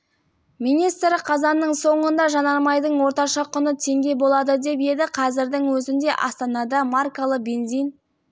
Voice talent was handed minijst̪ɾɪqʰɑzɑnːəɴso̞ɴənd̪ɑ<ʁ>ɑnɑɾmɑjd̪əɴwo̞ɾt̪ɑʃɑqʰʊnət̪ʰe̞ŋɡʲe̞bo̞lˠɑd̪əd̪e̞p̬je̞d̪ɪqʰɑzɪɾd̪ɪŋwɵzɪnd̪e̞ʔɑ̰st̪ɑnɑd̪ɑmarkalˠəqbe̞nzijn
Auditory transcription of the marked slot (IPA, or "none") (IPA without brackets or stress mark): ʒ